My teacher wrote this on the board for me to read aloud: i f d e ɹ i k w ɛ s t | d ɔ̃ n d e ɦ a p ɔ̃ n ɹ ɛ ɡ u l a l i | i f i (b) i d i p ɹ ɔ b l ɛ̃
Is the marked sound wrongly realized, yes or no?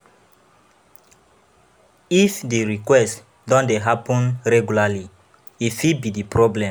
no